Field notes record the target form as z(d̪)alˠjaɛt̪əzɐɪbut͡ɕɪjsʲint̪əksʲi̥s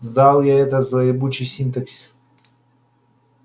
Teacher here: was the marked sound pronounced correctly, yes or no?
yes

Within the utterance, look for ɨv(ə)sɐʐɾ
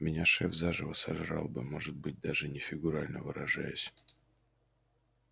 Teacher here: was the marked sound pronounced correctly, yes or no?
yes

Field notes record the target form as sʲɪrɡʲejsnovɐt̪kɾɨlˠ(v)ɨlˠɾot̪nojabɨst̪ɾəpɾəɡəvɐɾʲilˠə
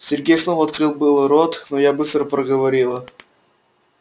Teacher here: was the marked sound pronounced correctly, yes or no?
no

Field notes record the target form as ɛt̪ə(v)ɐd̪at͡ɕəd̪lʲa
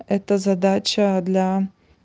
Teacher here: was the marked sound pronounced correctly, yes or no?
no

